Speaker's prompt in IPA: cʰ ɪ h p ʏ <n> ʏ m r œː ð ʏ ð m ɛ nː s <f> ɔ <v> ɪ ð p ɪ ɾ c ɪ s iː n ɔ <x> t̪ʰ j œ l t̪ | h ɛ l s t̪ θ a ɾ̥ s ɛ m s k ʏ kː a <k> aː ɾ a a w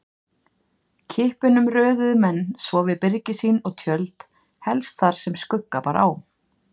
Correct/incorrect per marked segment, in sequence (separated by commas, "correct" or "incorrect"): correct, incorrect, correct, incorrect, incorrect